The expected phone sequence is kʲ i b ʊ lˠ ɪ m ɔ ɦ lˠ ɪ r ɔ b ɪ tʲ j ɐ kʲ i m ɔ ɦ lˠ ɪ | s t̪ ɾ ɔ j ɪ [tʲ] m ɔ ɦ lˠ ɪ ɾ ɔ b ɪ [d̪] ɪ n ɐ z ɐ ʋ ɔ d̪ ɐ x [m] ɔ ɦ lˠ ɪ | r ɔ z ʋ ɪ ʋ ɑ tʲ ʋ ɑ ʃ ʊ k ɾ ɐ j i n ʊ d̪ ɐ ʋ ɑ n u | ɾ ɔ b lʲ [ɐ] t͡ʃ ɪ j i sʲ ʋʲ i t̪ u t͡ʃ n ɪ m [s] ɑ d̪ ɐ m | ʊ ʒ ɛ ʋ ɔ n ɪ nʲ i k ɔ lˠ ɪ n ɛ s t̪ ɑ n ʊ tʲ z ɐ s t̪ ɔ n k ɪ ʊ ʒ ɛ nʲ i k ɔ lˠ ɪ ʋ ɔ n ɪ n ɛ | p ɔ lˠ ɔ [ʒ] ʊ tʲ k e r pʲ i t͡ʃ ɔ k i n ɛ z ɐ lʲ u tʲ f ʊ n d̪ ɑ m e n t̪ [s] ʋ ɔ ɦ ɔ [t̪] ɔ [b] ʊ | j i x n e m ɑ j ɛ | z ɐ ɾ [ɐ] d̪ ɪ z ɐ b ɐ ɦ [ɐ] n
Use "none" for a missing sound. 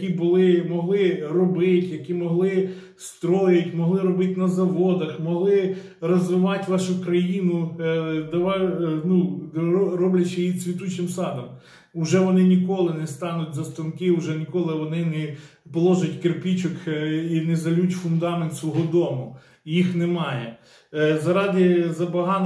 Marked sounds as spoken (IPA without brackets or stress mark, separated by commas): tʲ, t̪, m, ɐ, s, ʒ, s, d̪, m, ɑ, ɑ